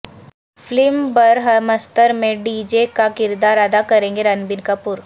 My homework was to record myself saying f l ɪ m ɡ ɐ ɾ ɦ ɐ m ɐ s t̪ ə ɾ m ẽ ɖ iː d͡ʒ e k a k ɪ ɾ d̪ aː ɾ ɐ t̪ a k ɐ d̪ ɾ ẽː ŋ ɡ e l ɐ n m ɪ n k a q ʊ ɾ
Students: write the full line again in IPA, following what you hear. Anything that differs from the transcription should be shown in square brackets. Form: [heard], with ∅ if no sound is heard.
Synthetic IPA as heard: f l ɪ m [b] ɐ ɾ ɦ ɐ m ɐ s t̪ ə ɾ m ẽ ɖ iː d͡ʒ e k a k ɪ ɾ d̪ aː ɾ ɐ [d̪] a k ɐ [∅] ɾ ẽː ŋ ɡ e [ɾ] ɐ n [b] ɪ n k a [p] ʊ ɾ